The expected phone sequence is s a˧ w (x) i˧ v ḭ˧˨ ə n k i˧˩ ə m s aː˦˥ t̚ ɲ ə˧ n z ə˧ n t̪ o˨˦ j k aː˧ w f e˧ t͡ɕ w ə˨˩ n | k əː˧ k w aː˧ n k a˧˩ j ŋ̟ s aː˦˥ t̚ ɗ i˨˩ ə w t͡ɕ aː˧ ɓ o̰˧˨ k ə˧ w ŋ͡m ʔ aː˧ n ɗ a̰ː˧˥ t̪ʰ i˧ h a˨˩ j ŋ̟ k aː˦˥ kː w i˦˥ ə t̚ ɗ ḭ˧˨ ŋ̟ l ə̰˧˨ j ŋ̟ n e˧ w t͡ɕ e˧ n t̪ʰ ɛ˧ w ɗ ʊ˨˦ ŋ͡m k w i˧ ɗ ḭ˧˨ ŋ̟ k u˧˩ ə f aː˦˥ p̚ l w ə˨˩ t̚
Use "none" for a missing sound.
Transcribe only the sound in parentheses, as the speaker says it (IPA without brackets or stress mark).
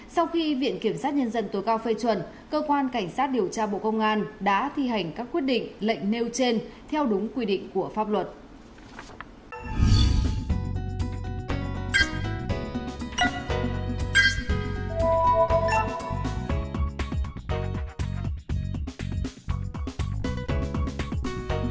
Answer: x